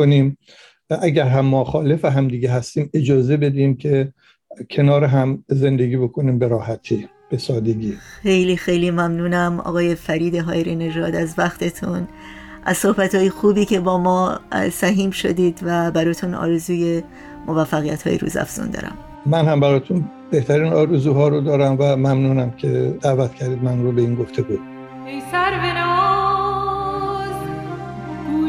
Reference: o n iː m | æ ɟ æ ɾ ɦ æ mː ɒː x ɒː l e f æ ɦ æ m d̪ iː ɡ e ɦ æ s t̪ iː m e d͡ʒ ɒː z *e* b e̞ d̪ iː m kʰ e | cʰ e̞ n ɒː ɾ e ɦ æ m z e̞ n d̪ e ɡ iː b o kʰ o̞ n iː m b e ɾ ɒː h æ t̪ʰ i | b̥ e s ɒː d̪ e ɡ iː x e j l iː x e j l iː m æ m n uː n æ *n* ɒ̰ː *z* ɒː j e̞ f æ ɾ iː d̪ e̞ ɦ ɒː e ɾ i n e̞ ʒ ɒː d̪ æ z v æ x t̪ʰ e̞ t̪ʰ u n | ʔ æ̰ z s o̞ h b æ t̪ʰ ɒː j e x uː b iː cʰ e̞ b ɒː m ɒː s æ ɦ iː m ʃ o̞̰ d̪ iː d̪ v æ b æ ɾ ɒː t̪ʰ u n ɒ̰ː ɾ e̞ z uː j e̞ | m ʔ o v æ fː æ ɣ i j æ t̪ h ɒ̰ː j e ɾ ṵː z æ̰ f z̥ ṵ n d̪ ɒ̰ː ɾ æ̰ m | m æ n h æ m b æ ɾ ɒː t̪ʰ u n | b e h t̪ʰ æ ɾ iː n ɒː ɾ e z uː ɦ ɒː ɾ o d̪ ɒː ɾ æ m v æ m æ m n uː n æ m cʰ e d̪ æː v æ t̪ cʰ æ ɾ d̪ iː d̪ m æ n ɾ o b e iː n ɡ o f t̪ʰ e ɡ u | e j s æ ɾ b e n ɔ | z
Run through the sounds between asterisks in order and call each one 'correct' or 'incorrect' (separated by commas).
correct, incorrect, incorrect